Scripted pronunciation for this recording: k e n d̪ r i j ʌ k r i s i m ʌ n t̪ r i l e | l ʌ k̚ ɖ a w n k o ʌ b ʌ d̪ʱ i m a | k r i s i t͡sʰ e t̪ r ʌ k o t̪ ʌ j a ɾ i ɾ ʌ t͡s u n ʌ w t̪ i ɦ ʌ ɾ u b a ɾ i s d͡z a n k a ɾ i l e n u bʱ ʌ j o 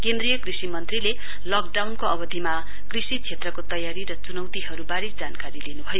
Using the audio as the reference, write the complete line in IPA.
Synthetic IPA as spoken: k e n d̪ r i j ʌ k r i s i m ʌ n t̪ r i l e | l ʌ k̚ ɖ a w n k o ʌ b ʌ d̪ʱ i m a | k r i s i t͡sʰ e t̪ r ʌ k o t̪ ʌ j a ɾ i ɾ ʌ t͡s u n ʌ w t̪ i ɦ ʌ ɾ u b a ɾ i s d͡z a n k a ɾ i l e n u bʱ ʌ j o